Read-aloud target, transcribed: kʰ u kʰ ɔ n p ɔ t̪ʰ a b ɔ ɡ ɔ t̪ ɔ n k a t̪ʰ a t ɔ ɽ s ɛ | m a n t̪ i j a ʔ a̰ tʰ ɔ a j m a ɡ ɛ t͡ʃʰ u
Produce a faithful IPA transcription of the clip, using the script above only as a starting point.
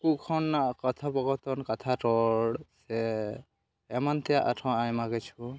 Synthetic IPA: k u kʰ ɔ n k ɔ t̪ʰ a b ɔ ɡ ɔ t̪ ɔ n k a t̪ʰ a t ɔ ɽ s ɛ | m a n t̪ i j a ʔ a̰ tʰ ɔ a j m a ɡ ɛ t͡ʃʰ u